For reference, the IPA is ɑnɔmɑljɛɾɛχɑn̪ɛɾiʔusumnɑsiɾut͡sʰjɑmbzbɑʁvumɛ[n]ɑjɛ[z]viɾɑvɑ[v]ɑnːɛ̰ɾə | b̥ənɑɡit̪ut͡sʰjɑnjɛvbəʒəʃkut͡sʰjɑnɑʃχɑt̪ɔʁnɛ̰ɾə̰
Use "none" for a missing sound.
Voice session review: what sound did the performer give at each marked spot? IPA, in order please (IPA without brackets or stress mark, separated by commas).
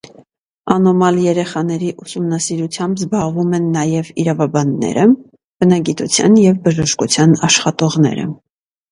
nː, none, b